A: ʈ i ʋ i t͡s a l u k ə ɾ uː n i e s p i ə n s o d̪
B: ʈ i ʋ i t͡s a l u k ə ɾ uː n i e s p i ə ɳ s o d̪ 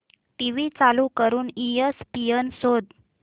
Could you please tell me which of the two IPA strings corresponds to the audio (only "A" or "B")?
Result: A